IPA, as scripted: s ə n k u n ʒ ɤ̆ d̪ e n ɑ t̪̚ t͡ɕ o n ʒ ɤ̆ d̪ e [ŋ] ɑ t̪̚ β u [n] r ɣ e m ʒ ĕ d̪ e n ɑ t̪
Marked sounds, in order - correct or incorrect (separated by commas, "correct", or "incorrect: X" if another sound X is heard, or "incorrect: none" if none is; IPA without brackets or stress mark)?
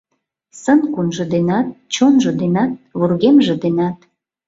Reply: incorrect: n, incorrect: none